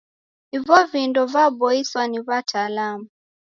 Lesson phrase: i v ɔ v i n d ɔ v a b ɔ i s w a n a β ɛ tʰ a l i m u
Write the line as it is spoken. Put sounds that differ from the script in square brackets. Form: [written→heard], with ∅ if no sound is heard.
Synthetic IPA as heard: i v ɔ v i n d ɔ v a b ɔ i s w a n [a→i] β [ɛ→a] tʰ a l [i→a] m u